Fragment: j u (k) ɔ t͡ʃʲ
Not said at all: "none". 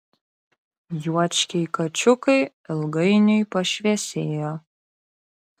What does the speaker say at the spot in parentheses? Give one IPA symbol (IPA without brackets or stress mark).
none